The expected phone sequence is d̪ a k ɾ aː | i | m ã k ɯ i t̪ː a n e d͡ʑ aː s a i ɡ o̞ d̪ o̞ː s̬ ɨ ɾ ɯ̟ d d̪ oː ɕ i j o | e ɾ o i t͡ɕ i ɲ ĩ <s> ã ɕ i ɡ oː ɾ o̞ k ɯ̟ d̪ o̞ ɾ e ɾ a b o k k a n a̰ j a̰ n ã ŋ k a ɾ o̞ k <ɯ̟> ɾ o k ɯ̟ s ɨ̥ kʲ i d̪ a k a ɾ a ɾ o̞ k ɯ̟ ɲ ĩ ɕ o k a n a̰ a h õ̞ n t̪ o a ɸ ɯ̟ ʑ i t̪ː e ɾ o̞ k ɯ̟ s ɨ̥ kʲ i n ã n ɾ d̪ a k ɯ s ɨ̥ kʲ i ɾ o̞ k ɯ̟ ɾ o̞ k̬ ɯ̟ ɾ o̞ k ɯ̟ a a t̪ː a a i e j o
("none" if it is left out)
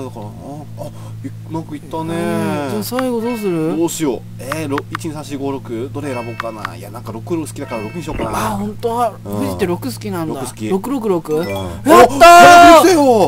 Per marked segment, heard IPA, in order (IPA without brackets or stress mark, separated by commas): s, ɯ̟